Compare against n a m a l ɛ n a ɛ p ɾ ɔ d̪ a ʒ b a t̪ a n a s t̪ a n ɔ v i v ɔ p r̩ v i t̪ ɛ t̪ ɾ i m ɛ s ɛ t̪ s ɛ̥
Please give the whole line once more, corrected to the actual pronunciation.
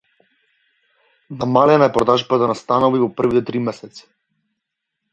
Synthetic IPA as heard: n a m a l ɛ n a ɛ p ɾ ɔ d̪ a ʒ b a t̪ a n a s t̪ a n ɔ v i v ɔ p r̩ v i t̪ ɛ t̪ ɾ i m ɛ s ɛ t̪ s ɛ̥